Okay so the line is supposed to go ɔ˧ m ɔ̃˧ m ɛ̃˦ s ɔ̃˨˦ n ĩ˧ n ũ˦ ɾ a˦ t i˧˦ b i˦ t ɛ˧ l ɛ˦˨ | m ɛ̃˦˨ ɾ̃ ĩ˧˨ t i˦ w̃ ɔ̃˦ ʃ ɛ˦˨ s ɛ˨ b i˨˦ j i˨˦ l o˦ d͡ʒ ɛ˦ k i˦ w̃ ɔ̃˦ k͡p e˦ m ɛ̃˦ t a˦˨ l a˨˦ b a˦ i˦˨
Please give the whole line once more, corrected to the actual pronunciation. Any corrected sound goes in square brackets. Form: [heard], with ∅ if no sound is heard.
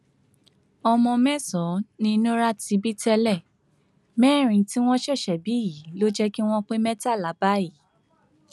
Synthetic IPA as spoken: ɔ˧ m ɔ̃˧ m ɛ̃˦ s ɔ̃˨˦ n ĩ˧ n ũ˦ ɾ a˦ t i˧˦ b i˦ t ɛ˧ l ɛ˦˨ | m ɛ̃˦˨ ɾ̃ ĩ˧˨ t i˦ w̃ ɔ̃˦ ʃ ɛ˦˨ [ʃ] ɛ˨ b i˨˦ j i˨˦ l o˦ d͡ʒ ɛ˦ k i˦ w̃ ɔ̃˦ k͡p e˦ m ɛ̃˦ t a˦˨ l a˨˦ b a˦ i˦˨